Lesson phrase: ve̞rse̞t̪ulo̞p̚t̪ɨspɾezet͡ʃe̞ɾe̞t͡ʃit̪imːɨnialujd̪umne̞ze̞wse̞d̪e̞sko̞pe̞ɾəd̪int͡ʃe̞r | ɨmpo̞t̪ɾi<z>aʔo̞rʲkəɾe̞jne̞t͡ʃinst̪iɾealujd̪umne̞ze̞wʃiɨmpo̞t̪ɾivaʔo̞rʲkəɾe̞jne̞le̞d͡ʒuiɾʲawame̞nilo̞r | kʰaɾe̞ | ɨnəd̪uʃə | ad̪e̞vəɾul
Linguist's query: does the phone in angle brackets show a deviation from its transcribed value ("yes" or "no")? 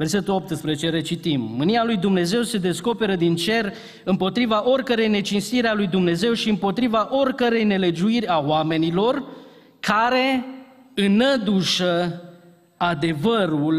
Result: yes